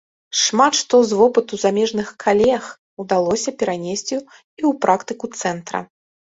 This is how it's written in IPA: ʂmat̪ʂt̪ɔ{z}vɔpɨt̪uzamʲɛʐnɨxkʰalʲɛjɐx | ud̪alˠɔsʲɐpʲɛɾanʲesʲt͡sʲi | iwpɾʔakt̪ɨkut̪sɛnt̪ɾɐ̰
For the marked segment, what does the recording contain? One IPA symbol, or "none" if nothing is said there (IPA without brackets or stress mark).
z